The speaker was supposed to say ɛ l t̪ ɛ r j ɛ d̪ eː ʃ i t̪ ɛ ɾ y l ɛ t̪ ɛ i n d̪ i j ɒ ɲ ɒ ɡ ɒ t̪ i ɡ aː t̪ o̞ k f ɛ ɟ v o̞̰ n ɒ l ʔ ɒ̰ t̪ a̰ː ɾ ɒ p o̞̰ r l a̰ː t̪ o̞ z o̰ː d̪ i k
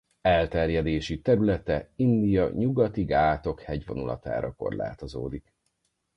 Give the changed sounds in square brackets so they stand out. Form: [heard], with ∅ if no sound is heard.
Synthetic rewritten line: ɛ l t̪ ɛ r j ɛ d̪ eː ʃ i t̪ ɛ ɾ y l ɛ t̪ ɛ i n d̪ i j ɒ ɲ [u] ɡ ɒ t̪ i ɡ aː t̪ o̞ k [h] ɛ ɟ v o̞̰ n [u] l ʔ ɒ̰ t̪ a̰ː ɾ ɒ [k] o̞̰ r l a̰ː t̪ o̞ z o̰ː d̪ i k